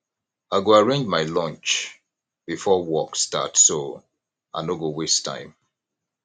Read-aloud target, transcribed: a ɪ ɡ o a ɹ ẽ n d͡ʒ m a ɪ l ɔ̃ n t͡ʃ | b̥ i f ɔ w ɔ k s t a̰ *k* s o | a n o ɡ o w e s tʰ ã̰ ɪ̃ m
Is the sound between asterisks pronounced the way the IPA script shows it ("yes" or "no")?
no